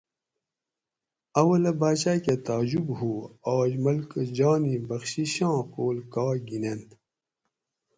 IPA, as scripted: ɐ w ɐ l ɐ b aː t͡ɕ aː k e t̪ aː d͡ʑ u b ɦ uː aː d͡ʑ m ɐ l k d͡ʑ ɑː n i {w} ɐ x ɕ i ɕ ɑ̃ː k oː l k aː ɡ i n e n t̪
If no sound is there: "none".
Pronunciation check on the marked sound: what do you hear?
b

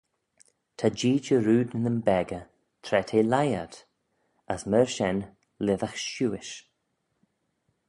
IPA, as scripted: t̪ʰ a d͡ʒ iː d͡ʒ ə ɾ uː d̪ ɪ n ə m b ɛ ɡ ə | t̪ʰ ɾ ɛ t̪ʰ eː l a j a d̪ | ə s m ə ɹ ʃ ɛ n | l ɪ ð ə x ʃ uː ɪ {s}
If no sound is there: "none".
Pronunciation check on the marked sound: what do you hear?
ʃ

